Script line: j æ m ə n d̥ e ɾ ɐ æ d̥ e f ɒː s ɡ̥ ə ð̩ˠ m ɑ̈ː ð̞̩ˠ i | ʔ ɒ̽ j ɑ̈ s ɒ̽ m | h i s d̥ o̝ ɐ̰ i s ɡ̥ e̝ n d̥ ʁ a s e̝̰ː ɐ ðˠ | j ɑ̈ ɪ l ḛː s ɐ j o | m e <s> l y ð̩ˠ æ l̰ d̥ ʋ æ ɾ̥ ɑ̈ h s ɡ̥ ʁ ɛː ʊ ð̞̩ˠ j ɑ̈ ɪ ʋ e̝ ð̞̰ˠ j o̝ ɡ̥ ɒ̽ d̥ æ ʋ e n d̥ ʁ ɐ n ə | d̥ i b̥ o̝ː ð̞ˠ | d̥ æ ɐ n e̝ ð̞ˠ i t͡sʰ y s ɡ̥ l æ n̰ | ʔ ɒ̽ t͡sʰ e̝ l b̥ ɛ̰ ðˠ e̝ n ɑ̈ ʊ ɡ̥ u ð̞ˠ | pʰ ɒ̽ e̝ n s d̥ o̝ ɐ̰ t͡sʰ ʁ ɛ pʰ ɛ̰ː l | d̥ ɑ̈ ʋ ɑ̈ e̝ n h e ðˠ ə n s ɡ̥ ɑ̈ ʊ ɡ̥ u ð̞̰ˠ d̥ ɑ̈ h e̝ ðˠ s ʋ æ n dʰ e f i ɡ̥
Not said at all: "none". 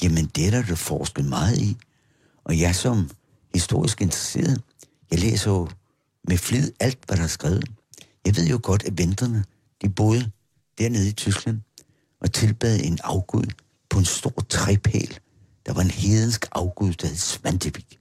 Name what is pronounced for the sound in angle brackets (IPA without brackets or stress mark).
f